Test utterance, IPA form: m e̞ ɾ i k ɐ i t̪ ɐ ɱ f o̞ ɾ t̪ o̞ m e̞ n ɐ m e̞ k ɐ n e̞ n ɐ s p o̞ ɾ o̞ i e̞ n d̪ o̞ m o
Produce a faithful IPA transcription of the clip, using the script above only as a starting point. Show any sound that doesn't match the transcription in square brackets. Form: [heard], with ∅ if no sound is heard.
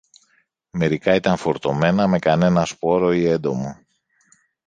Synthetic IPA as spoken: m e̞ ɾ i k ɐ i t̪ ɐ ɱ f o̞ ɾ t̪ o̞ m e̞ n ɐ m e̞ k ɐ n e̞ n ɐ s p o̞ ɾ o̞ i e̞ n d̪ o̞ m o